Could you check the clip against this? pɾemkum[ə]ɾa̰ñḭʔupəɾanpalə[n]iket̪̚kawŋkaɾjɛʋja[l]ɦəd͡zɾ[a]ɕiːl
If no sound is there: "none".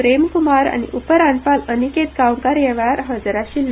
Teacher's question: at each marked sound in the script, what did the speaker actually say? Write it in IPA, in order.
a, n, ɾ, a

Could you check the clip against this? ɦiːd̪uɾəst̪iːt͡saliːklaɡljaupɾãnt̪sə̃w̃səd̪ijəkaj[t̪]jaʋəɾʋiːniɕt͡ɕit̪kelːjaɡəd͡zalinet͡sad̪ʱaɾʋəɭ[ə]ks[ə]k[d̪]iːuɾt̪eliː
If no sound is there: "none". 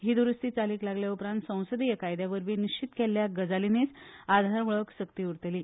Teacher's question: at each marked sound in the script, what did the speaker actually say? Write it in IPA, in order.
d̪, ə, ə, t̪

